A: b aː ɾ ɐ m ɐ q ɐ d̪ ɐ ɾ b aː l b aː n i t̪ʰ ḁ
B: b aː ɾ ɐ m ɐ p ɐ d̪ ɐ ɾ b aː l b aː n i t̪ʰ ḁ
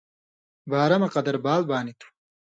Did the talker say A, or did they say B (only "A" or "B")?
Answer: A